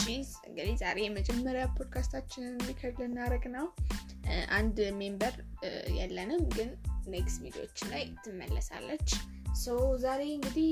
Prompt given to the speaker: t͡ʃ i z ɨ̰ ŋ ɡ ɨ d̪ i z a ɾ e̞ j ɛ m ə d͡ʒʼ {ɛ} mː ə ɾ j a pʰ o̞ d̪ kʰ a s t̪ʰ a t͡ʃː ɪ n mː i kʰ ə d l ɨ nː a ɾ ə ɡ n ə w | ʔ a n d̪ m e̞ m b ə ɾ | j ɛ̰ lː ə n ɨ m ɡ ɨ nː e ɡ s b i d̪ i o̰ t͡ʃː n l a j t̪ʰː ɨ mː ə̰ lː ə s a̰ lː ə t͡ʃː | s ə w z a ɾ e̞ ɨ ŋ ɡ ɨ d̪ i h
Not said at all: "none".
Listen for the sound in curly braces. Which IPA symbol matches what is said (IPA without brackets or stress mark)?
ɛ